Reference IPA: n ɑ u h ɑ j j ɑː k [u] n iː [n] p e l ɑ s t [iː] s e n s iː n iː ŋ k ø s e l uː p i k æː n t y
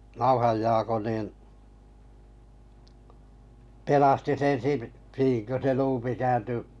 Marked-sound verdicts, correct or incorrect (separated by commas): incorrect, correct, incorrect